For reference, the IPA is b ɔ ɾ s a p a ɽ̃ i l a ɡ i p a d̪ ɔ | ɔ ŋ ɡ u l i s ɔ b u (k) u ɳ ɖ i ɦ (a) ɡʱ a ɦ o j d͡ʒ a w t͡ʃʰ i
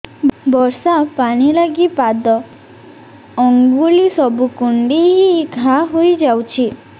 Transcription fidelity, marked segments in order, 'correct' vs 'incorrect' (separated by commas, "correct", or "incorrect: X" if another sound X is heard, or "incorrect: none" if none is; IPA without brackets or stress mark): correct, incorrect: i